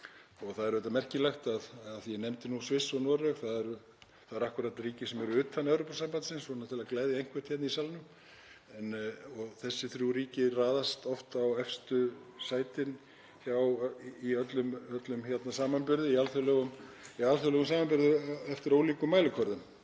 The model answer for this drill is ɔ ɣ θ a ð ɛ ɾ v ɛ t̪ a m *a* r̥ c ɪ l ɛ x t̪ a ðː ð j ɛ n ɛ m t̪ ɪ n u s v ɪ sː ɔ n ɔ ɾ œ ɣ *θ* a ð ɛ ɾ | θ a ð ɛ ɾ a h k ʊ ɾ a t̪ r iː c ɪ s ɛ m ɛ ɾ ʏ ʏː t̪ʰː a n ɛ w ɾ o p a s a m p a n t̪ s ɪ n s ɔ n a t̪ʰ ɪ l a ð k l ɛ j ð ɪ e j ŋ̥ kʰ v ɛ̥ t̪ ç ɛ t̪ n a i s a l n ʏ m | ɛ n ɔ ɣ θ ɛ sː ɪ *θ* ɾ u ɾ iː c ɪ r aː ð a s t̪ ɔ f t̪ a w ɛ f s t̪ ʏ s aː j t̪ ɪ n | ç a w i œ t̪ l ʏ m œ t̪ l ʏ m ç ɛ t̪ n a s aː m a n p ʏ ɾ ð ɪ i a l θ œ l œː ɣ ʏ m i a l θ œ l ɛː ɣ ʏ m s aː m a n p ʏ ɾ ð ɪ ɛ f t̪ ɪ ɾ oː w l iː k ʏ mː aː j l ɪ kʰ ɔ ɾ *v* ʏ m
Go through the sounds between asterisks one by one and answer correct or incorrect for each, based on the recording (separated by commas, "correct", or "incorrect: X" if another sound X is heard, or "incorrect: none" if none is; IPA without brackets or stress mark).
incorrect: ɛ, correct, correct, incorrect: ð